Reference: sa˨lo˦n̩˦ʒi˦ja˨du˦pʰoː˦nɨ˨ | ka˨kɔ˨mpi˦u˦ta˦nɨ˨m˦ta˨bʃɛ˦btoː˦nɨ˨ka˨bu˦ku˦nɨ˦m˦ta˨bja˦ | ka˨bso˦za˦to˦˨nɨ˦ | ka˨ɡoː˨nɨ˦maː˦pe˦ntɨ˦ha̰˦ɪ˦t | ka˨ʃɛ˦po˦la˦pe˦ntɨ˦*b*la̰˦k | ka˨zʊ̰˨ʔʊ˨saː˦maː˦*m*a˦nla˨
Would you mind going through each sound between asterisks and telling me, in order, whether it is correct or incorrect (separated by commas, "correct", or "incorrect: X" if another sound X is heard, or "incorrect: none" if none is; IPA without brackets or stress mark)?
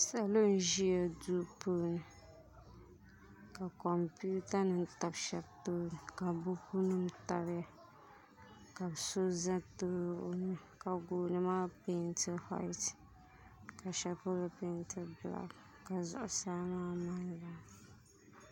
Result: correct, correct